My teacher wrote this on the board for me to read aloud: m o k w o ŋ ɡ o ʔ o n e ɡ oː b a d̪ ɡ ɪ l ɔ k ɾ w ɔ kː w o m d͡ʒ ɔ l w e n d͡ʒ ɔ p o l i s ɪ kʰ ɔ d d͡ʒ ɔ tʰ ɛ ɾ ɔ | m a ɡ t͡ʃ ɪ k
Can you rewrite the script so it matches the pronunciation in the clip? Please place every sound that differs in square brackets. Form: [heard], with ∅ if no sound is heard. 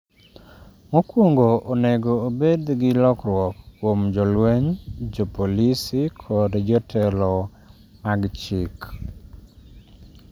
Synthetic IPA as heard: m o k w o ŋ ɡ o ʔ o n e ɡ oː b [e] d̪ ɡ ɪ l ɔ k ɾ w ɔ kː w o m d͡ʒ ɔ l w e [ɲ] d͡ʒ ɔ p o l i s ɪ kʰ ɔ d d͡ʒ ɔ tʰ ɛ [l] ɔ | m a ɡ t͡ʃ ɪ k